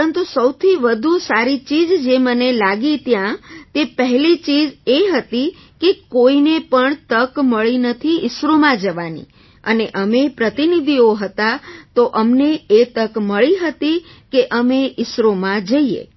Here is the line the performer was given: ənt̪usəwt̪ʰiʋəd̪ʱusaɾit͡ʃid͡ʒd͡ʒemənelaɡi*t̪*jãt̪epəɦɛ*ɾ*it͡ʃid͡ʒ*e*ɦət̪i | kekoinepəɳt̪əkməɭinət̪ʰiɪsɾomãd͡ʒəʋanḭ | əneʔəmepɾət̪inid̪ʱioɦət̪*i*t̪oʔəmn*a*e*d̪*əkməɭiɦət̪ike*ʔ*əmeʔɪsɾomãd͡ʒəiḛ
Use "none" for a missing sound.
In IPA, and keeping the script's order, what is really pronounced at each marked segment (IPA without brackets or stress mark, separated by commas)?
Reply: t̪, l, e, a, e, t̪, ʔ